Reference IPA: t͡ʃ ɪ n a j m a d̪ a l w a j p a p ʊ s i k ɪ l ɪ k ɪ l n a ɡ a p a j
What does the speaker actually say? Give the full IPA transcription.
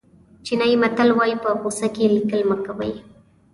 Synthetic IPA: t͡ʃ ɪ n a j m a t̪ a l w a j p a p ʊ s a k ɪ l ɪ k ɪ l m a k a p a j